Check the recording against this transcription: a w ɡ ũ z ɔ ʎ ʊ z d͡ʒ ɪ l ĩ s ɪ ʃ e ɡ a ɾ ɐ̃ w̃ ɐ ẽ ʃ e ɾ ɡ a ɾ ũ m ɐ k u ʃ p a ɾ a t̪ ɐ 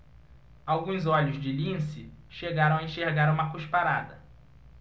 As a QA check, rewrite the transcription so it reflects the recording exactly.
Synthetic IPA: a w ɡ ũ z ɔ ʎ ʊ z d͡ʒ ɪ l ĩ s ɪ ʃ e ɡ a ɾ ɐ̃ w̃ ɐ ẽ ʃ e ɾ ɡ a ɾ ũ m ɐ k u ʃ p a ɾ a d̪ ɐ